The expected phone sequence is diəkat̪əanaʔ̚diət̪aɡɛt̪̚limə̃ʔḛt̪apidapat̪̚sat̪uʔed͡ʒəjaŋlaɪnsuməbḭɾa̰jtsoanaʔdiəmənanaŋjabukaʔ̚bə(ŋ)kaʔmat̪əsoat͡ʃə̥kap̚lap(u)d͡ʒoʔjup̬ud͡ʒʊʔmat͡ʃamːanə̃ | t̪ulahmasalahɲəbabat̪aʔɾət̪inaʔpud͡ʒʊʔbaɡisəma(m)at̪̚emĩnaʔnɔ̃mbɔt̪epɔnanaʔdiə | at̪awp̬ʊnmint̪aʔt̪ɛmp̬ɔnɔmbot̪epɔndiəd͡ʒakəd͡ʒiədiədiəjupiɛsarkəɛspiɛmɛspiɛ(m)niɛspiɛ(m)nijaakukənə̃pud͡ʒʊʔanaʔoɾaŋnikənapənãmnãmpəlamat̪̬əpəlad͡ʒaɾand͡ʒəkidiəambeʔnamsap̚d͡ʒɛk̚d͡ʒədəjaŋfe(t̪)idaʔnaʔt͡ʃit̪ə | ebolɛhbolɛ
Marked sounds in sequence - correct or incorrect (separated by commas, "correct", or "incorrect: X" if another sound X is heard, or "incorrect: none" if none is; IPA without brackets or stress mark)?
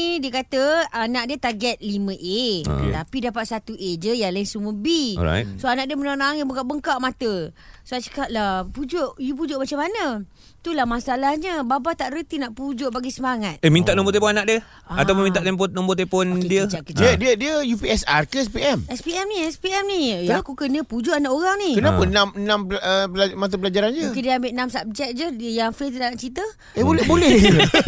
correct, correct, incorrect: ŋ, correct, correct, correct